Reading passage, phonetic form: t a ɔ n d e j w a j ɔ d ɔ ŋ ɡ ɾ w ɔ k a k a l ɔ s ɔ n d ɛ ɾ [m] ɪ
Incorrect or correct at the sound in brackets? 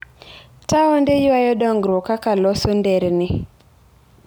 incorrect: n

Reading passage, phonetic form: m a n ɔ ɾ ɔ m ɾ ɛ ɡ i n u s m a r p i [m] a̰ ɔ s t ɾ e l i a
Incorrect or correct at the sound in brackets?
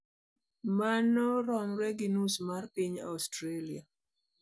incorrect: ɲ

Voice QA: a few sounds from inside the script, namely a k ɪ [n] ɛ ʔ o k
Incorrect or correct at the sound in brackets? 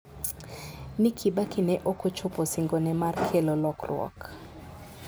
correct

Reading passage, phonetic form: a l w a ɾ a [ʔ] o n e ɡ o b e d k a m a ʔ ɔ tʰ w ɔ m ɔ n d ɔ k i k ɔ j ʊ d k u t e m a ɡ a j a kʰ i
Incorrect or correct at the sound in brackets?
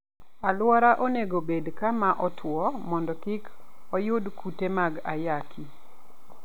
correct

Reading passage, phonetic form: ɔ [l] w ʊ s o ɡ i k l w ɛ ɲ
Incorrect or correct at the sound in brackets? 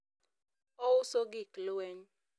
incorrect: none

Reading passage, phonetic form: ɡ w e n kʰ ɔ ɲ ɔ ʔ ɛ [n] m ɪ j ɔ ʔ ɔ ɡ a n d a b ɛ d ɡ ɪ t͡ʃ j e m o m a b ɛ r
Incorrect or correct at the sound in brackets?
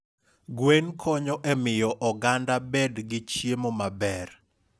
incorrect: none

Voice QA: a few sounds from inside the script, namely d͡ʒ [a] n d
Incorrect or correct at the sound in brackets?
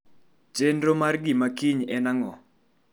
incorrect: e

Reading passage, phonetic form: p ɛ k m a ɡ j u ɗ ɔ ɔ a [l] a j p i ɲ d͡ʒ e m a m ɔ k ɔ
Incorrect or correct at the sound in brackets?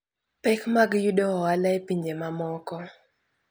correct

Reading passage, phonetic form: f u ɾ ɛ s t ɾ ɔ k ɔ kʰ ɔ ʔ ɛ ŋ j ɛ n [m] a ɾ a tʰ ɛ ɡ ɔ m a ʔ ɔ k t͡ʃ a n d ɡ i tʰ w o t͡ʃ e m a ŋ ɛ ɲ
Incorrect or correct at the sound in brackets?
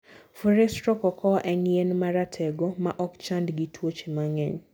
correct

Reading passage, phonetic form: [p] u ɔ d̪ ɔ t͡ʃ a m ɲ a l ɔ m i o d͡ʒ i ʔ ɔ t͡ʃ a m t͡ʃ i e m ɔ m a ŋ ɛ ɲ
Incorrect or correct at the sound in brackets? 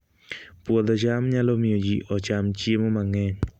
correct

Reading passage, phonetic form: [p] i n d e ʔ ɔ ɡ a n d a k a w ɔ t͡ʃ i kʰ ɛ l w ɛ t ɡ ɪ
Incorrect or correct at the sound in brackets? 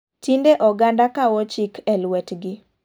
incorrect: t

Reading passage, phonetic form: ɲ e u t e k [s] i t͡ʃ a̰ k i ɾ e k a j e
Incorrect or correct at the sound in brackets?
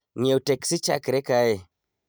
correct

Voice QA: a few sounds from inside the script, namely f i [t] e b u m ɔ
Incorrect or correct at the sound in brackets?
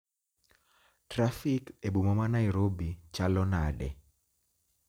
incorrect: k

